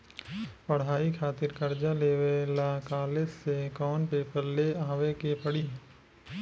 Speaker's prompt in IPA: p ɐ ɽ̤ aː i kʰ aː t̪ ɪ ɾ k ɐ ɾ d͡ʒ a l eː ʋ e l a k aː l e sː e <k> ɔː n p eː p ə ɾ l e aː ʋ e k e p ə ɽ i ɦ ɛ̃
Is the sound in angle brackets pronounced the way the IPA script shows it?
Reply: yes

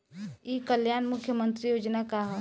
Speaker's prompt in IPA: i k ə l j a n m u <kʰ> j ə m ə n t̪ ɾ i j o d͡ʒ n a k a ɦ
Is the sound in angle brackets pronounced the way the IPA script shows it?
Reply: yes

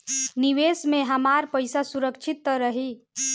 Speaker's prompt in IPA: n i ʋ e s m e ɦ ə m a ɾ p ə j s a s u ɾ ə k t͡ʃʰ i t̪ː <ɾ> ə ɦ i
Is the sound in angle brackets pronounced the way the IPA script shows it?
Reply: yes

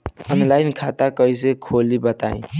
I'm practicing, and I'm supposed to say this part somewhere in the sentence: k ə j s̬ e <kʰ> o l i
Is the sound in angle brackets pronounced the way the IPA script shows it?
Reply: yes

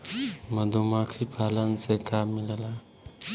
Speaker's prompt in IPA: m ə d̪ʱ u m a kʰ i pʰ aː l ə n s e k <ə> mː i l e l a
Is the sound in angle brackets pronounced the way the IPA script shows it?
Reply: no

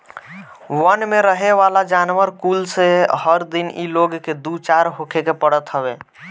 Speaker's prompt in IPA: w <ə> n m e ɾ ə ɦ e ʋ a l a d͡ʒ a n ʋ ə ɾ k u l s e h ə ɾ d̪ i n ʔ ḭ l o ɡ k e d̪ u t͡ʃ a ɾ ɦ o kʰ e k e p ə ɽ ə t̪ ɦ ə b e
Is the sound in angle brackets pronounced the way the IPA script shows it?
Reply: yes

